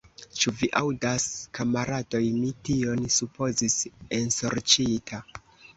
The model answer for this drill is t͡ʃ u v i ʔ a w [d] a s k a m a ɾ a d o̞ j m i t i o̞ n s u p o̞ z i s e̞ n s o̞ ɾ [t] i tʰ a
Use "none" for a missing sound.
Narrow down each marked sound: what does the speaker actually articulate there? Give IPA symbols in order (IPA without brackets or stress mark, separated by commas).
d, t͡ʃ